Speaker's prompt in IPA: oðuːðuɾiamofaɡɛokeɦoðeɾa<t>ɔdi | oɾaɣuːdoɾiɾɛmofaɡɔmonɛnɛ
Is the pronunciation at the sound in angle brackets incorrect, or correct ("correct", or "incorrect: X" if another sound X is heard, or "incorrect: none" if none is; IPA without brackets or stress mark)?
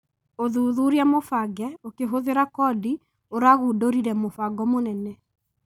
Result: incorrect: k